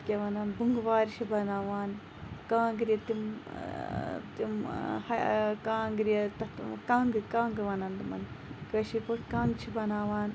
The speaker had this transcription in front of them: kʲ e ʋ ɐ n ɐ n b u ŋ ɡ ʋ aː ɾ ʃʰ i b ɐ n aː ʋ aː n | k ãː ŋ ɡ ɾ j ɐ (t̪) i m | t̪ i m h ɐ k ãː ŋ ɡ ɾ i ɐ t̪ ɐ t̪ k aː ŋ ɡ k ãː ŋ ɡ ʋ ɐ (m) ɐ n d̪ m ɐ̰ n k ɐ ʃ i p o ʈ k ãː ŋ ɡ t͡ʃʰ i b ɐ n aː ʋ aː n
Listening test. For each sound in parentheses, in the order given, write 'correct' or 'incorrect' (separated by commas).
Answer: correct, incorrect